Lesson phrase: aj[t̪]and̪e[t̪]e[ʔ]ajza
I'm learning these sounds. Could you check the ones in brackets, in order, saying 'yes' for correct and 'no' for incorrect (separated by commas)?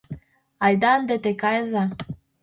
no, yes, no